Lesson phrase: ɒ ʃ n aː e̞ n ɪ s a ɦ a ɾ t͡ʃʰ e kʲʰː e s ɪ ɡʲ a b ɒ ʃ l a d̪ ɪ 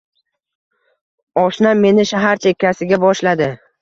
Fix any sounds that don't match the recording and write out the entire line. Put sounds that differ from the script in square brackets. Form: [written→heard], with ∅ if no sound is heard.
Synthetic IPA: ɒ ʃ n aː e̞ n ɪ [s→ʃ] a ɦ a ɾ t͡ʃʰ e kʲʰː [e→a] s ɪ ɡʲ a b ɒ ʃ l a d̪ ɪ